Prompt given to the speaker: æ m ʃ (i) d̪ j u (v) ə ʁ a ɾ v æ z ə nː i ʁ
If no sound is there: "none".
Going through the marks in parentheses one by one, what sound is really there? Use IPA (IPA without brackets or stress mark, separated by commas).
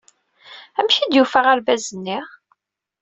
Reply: i, f